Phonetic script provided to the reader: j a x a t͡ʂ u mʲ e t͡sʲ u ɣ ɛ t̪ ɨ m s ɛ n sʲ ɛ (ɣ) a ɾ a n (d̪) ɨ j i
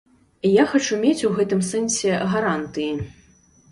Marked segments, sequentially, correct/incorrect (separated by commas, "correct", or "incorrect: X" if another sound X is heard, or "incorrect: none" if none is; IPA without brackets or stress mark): correct, incorrect: t̪